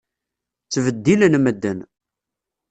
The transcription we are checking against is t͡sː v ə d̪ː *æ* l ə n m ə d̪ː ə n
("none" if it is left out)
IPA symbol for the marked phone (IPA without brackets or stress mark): i